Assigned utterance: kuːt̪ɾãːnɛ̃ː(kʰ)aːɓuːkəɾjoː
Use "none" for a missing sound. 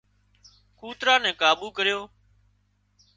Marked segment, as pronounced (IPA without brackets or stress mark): k